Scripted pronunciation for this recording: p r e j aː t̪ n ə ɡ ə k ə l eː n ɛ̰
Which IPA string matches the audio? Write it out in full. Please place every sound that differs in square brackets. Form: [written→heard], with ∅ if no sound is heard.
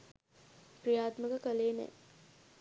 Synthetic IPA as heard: p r [e→i] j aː t̪ [n→m] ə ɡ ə k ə l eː n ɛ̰